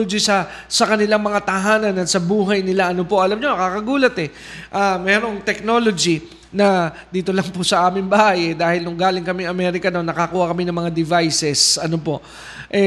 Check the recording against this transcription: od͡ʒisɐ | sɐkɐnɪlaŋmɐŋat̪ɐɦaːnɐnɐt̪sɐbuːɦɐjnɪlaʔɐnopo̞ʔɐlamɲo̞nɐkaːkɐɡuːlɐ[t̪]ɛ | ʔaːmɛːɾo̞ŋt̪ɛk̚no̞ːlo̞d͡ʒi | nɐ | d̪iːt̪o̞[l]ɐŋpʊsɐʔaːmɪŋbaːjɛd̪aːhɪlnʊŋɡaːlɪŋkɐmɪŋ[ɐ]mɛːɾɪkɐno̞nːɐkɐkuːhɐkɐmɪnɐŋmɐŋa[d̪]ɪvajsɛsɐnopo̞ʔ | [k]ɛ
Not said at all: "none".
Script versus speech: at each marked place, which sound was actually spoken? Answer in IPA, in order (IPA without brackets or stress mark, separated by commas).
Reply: t̪, l, ɐ, d̪, ʔ